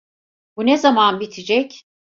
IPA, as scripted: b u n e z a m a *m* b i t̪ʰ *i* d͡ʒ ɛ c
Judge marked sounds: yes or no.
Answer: no, yes

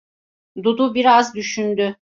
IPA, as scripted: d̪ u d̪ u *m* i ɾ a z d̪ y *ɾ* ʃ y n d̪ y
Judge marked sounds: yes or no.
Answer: no, no

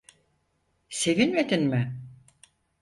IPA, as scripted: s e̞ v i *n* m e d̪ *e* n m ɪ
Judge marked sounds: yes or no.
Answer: yes, no

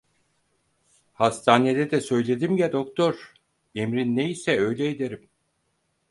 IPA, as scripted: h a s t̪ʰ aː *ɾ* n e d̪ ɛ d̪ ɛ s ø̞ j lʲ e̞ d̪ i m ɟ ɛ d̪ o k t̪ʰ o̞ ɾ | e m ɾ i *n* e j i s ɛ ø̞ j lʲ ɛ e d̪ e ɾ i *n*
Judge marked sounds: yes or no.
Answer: no, no, no

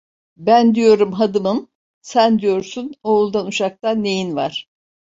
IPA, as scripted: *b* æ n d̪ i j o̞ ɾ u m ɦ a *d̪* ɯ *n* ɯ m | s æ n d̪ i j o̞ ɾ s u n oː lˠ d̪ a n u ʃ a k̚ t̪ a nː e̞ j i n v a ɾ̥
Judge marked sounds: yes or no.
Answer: yes, yes, no

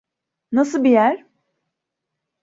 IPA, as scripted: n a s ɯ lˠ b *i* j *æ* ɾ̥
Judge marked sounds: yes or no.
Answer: yes, yes

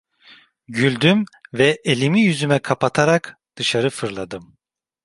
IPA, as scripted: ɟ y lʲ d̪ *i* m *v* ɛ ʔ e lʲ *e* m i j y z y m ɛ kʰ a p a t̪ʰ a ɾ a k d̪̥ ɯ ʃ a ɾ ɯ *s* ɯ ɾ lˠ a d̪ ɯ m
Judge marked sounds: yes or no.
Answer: no, yes, no, no

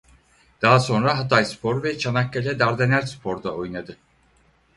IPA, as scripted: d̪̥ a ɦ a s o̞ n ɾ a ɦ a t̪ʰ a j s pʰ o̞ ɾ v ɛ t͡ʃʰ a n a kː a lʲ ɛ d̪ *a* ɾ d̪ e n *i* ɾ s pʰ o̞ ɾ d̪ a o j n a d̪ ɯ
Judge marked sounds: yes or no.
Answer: yes, no

